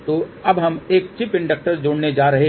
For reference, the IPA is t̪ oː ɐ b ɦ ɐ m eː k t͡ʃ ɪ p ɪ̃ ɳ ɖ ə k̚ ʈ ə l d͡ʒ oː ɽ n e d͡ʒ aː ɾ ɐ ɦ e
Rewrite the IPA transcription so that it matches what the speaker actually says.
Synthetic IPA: t̪ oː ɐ b ɦ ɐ m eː k t͡ʃ ɪ p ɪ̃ ɳ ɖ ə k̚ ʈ ə ɾ d͡ʒ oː ɽ n e d͡ʒ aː ɾ ɐ ɦ e